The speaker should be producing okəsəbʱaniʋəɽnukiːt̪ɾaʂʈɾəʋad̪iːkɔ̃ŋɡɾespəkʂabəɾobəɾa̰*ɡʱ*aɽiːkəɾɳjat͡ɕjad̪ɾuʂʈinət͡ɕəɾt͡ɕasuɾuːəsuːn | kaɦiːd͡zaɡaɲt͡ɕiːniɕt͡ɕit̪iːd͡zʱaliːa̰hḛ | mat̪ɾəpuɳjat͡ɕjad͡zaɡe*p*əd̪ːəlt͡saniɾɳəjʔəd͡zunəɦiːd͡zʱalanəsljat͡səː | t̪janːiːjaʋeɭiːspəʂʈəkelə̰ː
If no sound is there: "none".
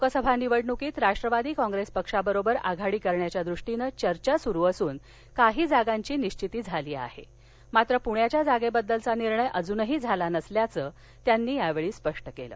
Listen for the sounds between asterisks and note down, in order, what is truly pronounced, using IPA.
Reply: ɡʱ, b

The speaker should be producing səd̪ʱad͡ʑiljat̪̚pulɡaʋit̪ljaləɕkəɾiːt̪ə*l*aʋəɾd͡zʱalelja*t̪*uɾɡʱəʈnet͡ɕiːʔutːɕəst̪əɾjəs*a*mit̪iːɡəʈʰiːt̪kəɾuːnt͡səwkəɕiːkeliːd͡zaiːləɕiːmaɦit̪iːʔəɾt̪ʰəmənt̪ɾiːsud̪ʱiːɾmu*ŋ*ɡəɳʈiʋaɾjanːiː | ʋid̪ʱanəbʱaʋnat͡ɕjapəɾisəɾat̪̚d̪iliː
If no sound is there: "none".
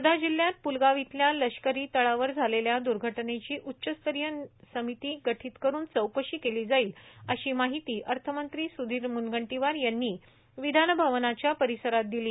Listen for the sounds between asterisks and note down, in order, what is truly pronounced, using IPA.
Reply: ɭ, d̪, ə, n

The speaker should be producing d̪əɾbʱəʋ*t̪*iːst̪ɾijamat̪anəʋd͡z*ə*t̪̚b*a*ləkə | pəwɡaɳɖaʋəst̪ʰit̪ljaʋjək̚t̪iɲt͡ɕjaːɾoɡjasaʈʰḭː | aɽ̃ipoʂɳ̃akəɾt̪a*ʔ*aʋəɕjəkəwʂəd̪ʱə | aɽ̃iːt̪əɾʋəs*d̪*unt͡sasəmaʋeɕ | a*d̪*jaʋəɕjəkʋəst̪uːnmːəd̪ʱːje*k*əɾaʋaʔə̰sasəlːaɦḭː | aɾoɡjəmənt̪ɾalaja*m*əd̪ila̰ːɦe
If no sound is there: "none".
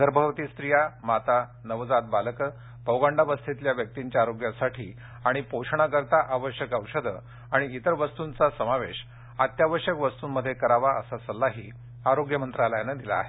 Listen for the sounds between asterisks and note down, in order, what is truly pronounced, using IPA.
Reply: t̪, a, a, ʔ, t̪, t̪, k, n

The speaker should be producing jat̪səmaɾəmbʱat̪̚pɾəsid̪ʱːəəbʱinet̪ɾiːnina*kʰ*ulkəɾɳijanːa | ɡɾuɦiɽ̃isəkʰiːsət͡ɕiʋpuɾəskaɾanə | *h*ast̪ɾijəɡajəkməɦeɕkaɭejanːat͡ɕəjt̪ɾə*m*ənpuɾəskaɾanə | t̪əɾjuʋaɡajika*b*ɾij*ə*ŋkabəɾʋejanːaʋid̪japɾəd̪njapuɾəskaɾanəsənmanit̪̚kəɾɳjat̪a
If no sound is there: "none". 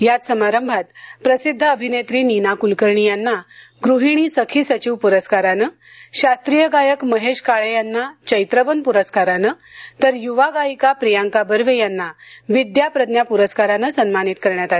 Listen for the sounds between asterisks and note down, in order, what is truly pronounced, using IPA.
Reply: k, ɕ, b, p, a

